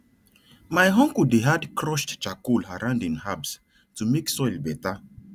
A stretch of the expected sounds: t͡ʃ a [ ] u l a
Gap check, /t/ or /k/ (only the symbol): k